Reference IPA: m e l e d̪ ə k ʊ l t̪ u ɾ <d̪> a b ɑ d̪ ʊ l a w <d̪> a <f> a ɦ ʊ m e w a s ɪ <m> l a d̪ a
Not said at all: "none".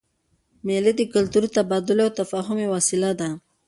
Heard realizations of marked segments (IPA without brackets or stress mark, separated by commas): t̪, t̪, f, none